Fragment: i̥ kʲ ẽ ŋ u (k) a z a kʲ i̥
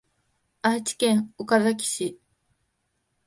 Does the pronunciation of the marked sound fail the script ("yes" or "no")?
no